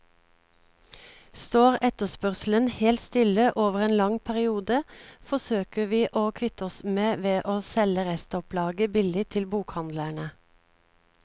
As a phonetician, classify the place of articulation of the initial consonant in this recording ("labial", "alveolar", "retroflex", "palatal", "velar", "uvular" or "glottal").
alveolar